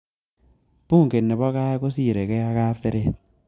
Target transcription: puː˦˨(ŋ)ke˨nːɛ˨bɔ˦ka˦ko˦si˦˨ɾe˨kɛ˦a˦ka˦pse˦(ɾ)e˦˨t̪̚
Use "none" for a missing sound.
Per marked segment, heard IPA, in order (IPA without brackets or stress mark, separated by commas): ŋ, ɾ